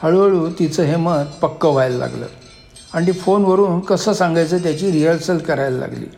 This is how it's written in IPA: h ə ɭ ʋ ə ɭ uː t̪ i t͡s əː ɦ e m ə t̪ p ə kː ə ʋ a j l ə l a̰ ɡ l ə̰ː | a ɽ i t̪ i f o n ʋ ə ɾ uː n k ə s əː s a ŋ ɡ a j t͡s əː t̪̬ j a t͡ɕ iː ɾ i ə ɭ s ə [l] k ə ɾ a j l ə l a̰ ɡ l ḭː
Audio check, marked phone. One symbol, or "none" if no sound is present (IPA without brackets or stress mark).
l